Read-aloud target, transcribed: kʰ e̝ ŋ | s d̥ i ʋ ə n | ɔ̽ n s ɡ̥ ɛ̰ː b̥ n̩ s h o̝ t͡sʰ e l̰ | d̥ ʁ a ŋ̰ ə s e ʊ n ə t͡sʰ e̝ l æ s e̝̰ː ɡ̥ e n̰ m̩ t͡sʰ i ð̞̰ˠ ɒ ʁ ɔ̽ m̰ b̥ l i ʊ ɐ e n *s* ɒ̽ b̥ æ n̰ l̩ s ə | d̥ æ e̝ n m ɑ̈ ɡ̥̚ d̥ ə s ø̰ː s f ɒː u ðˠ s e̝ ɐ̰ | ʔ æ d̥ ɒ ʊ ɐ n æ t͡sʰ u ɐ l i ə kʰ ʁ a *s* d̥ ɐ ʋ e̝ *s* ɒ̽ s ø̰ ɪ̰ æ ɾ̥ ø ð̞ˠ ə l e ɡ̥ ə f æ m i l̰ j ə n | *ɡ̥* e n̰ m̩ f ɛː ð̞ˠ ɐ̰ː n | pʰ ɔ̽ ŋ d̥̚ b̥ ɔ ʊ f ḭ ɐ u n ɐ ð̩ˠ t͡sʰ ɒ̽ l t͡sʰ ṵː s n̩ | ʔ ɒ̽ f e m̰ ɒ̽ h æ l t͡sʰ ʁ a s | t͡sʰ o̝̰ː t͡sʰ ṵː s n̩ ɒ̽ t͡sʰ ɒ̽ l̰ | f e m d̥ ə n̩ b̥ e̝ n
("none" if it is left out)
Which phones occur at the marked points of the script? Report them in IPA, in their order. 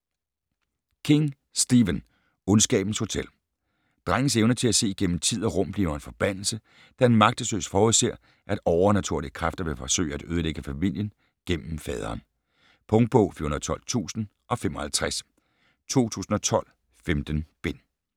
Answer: f, f, f, ɡ̥

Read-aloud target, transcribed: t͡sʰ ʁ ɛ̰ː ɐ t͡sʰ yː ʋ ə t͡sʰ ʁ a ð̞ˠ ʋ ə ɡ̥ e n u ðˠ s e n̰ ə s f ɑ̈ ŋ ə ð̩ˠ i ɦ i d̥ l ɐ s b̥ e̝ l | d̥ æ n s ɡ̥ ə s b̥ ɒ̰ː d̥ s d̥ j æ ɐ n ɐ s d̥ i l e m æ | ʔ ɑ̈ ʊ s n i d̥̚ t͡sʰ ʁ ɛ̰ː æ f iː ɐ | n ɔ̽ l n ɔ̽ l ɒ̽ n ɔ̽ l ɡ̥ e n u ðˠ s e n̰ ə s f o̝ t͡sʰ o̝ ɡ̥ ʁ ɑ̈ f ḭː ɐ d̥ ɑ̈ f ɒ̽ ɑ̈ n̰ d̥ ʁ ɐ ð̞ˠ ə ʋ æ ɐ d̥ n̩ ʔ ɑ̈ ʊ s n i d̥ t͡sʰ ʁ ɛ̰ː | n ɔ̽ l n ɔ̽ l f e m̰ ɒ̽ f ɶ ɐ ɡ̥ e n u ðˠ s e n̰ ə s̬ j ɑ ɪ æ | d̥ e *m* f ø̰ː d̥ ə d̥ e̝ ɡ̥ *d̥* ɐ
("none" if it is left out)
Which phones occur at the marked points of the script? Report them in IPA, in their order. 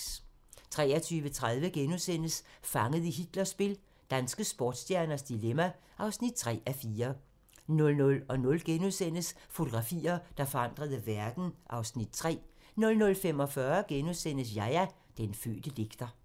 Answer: n, d̥

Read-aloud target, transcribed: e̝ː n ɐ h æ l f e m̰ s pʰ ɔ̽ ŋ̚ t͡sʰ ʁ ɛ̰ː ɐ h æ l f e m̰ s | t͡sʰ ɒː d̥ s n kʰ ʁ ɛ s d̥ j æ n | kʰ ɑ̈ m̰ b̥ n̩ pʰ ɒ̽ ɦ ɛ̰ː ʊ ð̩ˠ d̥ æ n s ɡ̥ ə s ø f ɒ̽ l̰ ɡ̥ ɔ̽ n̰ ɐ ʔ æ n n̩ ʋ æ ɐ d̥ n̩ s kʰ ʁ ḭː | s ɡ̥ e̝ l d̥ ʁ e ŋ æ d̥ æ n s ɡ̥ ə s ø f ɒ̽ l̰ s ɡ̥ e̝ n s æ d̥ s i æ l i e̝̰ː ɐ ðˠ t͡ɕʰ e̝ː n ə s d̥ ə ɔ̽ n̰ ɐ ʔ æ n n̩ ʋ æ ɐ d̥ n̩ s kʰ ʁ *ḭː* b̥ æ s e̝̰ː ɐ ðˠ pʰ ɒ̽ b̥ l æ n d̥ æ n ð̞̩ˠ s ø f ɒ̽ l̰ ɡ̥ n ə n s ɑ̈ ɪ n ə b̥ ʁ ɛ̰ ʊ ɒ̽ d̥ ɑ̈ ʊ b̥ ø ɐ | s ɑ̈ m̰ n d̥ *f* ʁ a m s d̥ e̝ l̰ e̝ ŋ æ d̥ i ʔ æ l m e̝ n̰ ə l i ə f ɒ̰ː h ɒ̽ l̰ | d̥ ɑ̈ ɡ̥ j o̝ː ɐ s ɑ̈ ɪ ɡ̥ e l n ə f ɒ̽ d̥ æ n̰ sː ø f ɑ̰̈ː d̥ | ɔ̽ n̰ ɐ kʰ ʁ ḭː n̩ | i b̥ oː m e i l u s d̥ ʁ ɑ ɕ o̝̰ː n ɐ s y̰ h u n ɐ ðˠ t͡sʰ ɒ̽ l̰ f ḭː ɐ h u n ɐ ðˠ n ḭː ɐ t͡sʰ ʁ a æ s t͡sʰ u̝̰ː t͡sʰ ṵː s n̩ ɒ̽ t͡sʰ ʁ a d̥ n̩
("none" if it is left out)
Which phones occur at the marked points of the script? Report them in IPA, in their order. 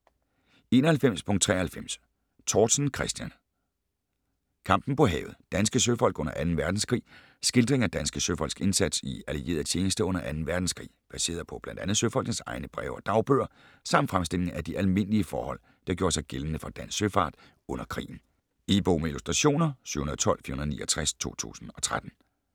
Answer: ḭː, f

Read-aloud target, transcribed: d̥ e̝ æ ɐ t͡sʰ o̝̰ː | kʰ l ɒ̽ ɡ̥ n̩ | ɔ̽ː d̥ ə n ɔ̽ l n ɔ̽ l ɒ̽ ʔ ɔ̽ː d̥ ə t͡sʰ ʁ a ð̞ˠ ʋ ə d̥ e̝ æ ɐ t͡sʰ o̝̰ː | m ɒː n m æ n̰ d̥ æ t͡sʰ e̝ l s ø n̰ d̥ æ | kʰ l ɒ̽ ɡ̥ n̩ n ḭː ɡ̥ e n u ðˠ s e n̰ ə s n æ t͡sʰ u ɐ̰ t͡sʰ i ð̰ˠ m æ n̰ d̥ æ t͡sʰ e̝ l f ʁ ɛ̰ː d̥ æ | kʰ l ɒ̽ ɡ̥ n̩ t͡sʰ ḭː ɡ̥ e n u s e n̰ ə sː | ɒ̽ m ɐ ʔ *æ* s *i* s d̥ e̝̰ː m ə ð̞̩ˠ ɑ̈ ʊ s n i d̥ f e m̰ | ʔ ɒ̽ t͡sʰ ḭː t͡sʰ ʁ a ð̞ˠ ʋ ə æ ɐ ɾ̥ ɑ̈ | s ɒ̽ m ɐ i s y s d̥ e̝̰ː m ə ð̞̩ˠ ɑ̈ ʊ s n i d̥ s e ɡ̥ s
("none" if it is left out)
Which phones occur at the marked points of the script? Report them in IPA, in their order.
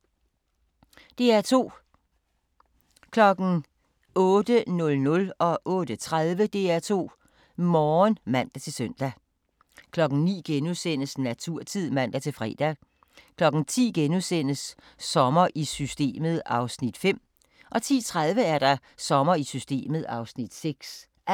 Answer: i, y

